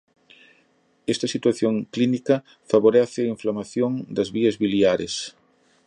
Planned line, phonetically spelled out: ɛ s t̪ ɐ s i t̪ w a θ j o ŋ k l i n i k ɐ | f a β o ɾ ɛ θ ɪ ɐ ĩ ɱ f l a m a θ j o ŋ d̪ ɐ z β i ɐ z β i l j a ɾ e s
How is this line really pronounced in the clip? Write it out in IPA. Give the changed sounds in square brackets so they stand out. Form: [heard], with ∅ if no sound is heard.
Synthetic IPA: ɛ s t̪ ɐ s i t̪ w a θ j o ŋ k l i n i k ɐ | f a β o ɾ ɛ θ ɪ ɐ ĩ ɱ f l a m a θ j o ŋ d̪ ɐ z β i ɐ z β i l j a ɾ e s